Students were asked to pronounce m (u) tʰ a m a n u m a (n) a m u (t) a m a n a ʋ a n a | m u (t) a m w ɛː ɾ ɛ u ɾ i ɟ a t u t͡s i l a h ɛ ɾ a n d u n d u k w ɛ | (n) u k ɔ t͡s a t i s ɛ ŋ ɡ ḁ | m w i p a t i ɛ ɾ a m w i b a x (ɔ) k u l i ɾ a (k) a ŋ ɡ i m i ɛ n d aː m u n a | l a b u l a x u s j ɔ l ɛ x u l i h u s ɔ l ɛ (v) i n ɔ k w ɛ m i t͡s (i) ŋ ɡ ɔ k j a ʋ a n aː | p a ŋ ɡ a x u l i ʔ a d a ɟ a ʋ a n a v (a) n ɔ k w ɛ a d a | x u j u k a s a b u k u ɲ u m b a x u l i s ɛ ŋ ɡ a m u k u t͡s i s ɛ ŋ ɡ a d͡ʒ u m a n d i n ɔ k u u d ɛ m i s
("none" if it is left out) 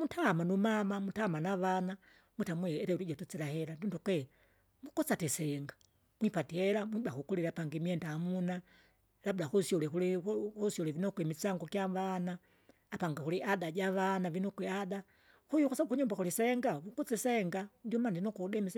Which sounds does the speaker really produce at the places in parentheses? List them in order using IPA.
u, m, t, t, m, u, p, v, a, i

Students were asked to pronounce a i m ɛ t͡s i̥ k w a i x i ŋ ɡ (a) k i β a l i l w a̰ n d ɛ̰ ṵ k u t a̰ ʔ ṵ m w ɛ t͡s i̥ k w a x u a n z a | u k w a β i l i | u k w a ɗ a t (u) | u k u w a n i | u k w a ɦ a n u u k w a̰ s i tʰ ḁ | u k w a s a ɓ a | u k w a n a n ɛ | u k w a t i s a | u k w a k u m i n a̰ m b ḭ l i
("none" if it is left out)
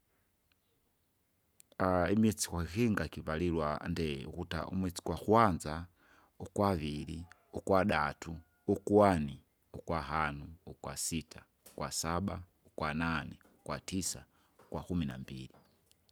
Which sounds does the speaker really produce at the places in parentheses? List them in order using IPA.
a, u

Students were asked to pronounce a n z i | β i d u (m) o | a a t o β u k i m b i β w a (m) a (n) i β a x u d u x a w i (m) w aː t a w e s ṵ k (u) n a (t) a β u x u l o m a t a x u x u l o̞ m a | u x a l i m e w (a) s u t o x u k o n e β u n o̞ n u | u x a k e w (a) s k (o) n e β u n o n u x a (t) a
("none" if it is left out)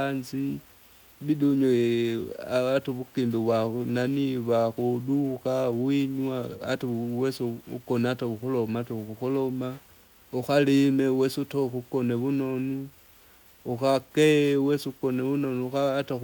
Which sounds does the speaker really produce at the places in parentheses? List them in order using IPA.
ɲ, n, n, ɲ, o, t, e, e, o, t

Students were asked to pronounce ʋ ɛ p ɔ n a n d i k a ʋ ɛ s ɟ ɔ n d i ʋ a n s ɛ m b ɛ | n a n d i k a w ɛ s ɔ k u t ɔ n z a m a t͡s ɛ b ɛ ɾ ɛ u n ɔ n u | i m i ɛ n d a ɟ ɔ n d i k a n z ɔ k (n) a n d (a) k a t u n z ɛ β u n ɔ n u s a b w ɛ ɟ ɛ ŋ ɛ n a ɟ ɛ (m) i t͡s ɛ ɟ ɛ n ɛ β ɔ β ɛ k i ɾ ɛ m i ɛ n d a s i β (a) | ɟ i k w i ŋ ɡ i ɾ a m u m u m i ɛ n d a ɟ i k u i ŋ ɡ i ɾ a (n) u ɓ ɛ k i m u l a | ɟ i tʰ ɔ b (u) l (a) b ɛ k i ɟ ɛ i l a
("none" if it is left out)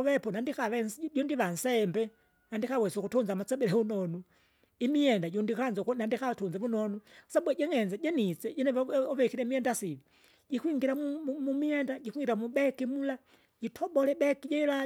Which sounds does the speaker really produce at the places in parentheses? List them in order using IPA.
n, i, n, i, m, ɔ, ɛ

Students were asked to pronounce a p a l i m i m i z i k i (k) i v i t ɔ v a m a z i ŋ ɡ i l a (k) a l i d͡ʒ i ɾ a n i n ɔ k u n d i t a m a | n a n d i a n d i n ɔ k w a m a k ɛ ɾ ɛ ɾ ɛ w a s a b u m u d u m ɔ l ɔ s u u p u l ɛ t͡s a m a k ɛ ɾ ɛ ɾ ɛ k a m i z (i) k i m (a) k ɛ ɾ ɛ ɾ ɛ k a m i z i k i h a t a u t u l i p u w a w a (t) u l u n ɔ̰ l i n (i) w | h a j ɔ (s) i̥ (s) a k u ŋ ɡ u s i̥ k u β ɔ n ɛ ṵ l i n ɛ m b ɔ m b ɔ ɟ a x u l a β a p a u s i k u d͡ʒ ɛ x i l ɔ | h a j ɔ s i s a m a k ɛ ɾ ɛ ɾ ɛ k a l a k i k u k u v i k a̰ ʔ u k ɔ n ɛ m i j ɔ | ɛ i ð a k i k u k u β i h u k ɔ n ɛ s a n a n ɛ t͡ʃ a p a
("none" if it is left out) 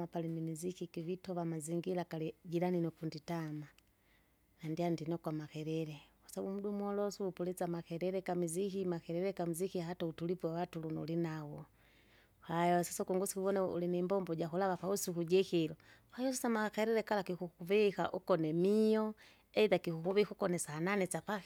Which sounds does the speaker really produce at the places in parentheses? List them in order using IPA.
k, k, i, a, t, a, s, s

